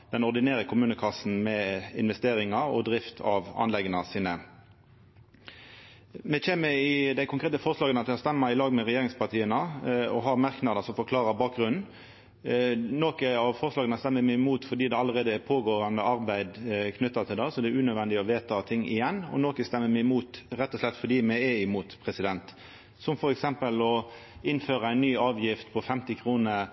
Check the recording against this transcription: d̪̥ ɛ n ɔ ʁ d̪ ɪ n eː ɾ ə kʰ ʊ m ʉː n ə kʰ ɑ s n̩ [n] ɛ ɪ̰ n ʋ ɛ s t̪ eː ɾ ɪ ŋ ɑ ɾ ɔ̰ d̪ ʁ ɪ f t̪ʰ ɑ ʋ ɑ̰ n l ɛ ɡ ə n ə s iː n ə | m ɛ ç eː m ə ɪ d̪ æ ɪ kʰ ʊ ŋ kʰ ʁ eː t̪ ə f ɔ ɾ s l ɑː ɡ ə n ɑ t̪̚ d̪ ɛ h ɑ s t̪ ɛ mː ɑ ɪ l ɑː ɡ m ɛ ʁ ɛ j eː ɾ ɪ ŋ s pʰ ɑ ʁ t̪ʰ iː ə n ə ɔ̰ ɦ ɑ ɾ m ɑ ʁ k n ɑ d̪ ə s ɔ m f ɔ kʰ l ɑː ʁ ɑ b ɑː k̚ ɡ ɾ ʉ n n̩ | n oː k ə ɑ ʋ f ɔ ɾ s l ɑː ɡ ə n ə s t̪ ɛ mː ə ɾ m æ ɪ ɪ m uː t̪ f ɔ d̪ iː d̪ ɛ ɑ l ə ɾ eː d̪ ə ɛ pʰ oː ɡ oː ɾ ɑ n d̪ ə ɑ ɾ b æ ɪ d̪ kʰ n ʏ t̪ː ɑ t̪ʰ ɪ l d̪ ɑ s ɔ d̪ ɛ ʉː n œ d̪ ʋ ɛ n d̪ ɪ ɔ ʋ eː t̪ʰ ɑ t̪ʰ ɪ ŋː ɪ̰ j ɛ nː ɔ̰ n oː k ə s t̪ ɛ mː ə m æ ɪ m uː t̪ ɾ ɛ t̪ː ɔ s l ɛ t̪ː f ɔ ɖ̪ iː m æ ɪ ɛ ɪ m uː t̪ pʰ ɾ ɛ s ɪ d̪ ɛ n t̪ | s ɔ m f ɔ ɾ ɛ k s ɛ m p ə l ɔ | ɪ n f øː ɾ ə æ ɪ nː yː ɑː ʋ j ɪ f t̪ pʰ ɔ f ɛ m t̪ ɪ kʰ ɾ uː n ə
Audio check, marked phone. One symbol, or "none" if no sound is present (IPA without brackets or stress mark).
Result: m